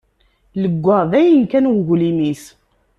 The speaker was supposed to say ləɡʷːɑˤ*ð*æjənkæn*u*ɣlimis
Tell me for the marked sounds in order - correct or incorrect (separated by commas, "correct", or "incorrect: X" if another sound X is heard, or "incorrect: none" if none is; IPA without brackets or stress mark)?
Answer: correct, incorrect: w